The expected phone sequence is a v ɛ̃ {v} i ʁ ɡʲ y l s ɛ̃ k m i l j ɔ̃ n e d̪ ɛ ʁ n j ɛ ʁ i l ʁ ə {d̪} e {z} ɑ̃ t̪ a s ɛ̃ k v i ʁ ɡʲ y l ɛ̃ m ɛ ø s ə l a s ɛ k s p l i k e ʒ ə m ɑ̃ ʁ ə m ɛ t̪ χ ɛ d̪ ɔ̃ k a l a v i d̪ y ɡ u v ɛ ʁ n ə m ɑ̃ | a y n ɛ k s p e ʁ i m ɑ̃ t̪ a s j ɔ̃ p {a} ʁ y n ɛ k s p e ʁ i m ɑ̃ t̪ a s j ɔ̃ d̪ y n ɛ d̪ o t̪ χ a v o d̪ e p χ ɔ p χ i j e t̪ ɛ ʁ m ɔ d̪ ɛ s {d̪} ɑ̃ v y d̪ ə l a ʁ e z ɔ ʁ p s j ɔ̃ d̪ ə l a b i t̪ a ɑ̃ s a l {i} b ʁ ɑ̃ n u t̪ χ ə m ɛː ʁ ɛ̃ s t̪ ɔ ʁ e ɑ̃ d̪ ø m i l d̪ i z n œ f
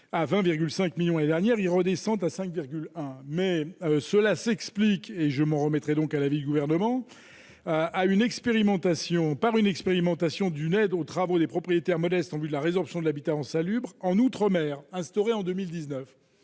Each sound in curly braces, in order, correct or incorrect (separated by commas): correct, correct, incorrect, correct, incorrect, incorrect